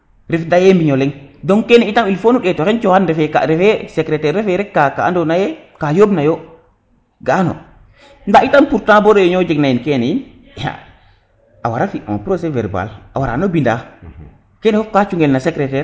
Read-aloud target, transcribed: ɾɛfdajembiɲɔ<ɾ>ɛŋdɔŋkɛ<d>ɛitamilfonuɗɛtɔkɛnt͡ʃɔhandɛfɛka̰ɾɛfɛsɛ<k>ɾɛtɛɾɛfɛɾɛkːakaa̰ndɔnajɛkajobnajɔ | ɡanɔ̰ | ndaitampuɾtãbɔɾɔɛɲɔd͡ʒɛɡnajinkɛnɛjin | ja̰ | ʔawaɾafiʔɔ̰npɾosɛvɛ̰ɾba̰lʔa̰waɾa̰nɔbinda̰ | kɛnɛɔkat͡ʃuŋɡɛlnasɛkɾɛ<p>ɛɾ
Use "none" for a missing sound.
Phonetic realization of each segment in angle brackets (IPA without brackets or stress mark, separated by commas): l, n, k, t